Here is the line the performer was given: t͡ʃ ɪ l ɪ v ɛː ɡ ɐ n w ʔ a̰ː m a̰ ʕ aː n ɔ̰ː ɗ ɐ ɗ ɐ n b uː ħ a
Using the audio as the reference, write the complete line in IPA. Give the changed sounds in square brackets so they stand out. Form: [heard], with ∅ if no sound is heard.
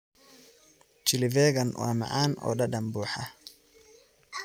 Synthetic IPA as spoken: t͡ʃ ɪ l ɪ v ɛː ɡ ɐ n w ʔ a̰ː m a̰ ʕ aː n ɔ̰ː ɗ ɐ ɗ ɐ [m] b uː ħ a